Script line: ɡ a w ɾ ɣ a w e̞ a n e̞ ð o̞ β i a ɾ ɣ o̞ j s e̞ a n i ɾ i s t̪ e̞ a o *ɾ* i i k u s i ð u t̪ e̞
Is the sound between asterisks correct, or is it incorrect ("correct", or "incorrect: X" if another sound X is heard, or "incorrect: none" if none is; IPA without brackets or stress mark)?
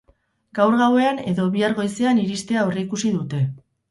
incorrect: r